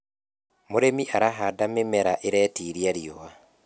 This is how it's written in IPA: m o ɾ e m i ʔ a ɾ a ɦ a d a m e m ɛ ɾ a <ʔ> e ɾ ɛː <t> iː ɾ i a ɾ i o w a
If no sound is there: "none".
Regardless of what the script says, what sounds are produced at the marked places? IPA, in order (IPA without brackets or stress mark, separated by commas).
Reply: ʔ, t